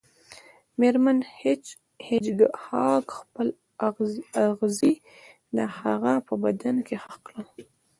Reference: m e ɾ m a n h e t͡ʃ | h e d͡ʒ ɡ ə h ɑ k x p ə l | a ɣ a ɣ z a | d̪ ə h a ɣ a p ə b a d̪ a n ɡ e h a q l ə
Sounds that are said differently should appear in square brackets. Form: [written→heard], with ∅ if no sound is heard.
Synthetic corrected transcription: m e ɾ m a n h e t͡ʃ | h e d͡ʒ ɡ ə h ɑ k x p ə l | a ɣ a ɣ z [a→i] | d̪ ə h a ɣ a p ə b a d̪ a n [ɡ→k] e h a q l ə